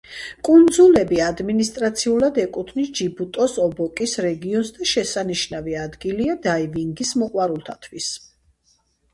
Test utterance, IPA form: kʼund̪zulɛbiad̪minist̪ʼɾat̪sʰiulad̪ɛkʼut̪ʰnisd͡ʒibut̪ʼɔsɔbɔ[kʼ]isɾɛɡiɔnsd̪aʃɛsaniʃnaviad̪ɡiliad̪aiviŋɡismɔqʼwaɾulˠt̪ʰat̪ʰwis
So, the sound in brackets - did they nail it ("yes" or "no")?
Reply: yes